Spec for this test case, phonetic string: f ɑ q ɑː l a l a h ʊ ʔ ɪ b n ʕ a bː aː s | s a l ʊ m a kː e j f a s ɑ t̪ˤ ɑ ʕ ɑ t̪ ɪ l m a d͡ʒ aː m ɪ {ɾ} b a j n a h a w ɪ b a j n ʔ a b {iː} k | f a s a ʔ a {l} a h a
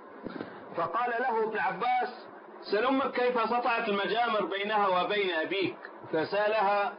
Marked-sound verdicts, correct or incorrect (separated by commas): correct, correct, correct